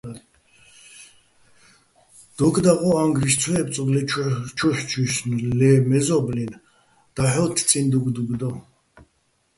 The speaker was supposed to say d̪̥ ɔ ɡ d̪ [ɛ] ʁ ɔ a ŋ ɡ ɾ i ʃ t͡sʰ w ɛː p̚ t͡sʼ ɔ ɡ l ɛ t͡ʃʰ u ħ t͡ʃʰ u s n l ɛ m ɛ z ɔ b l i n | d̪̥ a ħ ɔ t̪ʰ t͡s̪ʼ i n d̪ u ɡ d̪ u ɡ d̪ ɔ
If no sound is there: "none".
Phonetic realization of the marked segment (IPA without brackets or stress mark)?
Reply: a